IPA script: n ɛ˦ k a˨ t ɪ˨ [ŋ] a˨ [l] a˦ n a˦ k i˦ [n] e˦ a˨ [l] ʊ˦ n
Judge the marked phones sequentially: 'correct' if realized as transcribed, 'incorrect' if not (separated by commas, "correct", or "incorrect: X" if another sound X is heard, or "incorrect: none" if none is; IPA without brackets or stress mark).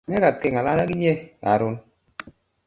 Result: correct, correct, incorrect: ɲ, incorrect: ɾ